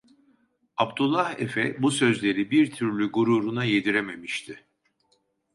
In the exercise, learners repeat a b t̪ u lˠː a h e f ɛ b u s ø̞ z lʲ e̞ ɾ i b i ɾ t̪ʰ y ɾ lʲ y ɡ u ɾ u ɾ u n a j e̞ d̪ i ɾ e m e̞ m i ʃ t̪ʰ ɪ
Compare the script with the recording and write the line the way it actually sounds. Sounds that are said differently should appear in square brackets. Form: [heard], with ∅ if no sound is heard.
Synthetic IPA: a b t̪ u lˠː a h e f ɛ b u s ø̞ z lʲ e̞ ɾ i b i ɾ t̪ʰ y ɾ lʲ y ɡ u ɾ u ɾ u n a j e̞ d̪ i ɾ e m e̞ m i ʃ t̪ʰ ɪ